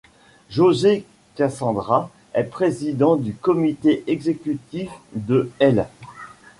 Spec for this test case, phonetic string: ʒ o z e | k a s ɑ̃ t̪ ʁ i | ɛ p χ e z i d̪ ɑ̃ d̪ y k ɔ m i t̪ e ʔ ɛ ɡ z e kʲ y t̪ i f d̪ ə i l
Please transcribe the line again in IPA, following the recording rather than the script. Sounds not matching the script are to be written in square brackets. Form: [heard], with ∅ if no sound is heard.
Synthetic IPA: ʒ o z e | k a s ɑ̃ [d̪] ʁ [a] | ɛ p χ e z i d̪ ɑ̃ d̪ y k ɔ m i t̪ e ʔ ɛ ɡ z e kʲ y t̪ i f d̪ ə [ɛ] l